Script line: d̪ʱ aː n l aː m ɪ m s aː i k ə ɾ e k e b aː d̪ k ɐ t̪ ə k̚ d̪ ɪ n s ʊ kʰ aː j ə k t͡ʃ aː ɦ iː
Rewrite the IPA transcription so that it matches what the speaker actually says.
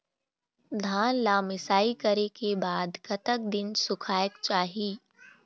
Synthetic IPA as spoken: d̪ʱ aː n l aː m ɪ s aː i k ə ɾ e k e b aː d̪ k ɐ t̪ ə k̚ d̪ ɪ n s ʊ kʰ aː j ə k t͡ʃ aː ɦ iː